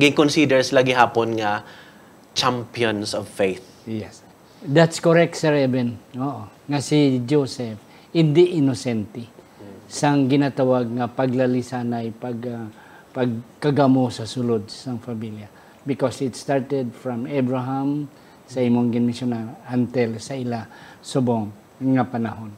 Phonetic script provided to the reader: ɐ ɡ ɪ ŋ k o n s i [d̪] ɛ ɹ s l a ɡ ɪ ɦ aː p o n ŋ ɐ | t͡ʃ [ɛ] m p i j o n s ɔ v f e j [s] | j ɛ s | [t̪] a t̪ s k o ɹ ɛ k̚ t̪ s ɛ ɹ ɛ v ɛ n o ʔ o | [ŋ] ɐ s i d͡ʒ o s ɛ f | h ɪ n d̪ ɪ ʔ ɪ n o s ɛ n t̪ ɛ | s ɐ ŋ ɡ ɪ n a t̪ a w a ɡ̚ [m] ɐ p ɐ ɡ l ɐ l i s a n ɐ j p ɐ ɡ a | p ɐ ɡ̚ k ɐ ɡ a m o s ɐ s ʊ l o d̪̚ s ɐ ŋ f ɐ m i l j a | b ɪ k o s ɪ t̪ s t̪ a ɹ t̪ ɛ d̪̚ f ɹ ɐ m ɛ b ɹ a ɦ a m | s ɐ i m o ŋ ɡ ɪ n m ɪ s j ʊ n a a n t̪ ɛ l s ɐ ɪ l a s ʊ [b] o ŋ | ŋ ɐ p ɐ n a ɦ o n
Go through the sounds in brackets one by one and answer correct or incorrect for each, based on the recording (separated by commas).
correct, incorrect, incorrect, incorrect, correct, incorrect, correct